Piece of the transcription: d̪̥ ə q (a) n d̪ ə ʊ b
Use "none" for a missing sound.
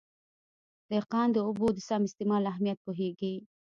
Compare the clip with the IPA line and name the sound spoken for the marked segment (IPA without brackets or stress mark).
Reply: ɑ